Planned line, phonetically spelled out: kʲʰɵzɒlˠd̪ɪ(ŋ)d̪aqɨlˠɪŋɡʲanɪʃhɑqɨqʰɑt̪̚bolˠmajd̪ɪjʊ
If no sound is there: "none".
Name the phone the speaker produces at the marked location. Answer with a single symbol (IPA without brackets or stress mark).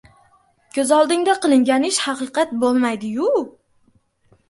ŋ